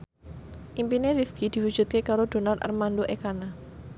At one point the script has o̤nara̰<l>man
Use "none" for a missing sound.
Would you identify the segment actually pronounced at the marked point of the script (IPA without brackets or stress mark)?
r